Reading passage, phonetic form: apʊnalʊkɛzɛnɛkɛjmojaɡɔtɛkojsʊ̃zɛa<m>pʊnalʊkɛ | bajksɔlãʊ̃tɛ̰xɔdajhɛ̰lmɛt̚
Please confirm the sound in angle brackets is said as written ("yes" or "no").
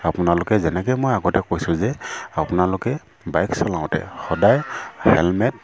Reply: no